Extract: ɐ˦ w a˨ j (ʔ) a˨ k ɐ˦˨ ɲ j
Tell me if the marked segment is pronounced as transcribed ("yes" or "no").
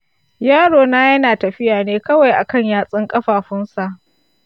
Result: yes